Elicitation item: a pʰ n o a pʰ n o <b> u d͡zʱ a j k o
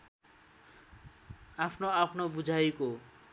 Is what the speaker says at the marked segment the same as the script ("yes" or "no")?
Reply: yes